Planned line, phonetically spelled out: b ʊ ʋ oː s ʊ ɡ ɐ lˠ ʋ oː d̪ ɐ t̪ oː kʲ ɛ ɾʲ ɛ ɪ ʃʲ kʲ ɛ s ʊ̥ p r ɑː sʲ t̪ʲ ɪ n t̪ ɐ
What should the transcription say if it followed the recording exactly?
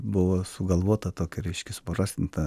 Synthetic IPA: b ʊ ʋ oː s ʊ ɡ ɐ lˠ ʋ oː t̪ ɐ t̪ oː kʲ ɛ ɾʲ ɛ ɪ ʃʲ kʲ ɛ s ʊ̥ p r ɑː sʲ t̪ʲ ɪ n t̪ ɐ